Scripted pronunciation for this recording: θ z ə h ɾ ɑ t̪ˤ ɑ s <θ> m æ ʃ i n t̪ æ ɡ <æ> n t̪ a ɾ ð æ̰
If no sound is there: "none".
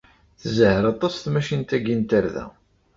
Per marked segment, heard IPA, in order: θ, i

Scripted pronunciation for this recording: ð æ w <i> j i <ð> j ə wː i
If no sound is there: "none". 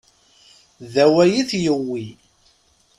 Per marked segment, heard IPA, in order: æ, θ

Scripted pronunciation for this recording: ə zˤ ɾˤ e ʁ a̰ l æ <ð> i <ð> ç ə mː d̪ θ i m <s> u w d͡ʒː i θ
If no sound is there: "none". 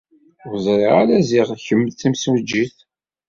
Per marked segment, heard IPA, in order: z, ʁ, s

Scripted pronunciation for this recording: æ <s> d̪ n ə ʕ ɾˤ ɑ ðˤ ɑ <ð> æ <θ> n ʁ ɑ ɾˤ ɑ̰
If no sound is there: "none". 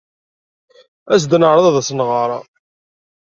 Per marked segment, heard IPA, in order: s, ð, s

